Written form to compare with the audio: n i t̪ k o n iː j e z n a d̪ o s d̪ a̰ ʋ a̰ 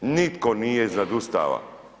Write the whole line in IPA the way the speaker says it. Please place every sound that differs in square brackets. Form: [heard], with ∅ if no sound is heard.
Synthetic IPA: n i t̪ k o n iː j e z n a d̪ [u] s [t̪] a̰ ʋ a̰